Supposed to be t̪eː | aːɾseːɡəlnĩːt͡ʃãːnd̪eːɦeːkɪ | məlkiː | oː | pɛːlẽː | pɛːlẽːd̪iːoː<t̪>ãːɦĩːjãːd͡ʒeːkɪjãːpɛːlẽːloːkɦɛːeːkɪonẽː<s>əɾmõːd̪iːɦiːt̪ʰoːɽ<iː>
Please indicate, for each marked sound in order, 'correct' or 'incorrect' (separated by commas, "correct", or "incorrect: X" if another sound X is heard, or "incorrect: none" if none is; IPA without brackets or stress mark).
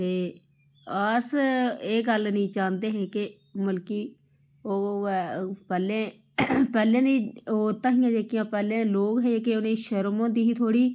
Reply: correct, incorrect: ʃ, correct